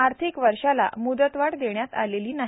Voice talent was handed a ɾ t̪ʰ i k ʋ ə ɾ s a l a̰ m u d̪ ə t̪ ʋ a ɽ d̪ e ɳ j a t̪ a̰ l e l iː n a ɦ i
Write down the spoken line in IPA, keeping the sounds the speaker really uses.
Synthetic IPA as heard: a ɾ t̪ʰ i k ʋ ə ɾ ʂ a l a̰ m u d̪ ə t̪ ʋ a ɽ d̪ e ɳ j a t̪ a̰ l e l iː n a ɦ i